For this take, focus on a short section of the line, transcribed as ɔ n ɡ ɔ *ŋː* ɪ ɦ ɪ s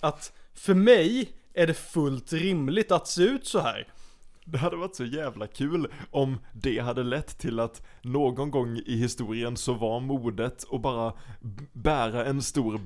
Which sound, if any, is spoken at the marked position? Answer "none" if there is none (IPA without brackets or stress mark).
ŋː